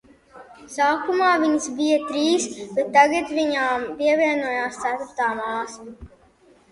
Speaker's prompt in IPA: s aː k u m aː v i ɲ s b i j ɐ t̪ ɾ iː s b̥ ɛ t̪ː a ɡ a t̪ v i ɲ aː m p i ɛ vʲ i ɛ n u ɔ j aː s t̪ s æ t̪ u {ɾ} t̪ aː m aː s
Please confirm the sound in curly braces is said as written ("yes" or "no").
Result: yes